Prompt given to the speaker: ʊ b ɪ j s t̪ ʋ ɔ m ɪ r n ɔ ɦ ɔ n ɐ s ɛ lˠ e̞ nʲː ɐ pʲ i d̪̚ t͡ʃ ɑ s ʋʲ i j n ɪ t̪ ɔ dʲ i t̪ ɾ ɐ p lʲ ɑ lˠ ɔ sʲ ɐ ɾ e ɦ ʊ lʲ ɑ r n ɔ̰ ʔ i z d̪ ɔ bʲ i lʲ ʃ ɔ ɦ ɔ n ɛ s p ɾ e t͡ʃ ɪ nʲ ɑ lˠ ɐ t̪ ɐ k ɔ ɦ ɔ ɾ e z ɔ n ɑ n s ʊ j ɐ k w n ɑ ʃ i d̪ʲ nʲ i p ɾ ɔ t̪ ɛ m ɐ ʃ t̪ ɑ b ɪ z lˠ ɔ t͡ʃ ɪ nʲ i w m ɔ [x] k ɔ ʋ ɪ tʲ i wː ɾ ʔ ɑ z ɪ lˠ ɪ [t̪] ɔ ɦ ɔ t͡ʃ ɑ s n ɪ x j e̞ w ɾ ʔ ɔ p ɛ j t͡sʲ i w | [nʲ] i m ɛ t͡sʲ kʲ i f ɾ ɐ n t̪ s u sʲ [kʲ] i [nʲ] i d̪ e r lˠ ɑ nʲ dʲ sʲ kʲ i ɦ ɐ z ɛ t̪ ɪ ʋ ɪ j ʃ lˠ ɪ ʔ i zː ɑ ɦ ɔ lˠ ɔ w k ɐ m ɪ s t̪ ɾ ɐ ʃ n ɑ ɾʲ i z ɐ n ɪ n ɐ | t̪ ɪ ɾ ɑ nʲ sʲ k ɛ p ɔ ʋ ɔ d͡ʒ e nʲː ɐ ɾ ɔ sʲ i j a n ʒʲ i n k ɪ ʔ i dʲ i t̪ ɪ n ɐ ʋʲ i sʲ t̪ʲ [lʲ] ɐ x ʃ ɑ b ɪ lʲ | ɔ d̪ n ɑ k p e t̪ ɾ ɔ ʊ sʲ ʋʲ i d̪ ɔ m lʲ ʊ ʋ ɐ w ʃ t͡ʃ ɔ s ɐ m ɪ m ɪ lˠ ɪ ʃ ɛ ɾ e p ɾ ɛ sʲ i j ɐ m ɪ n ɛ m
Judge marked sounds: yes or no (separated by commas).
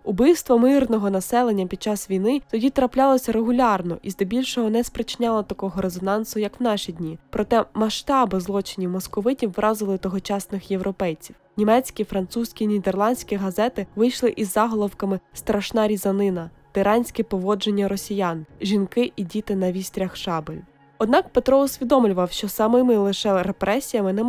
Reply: no, yes, yes, yes, yes, no